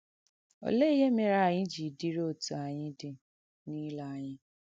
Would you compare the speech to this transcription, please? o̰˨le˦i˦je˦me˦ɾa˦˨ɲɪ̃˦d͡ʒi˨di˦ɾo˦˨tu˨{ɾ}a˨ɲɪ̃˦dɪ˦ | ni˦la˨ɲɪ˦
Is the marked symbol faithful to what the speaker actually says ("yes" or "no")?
no